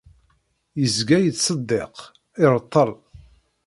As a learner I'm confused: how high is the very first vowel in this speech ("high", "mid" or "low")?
mid